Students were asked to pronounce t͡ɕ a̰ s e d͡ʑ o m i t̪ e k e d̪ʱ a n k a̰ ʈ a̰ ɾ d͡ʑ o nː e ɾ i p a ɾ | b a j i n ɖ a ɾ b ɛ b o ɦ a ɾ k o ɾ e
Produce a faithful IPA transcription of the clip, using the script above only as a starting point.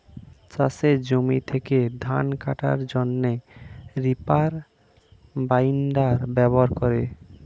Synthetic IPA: t͡ɕ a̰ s e d͡ʑ o m i t̪ʰ e k e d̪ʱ a n k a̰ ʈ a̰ ɾ d͡ʑ o nː e ɾ i p a ɾ | b a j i n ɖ a ɾ b ɛ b o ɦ a ɾ k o ɾ e